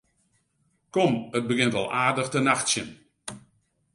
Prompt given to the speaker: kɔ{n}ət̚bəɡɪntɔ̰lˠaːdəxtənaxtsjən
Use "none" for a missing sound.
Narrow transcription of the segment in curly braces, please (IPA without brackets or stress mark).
m